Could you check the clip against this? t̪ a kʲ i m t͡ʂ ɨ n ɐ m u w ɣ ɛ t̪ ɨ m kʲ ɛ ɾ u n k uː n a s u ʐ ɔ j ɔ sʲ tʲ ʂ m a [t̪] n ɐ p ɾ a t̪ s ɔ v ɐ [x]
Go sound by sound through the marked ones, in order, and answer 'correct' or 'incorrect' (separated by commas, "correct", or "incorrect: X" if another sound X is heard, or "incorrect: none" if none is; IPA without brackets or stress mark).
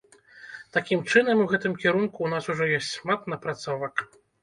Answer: correct, incorrect: k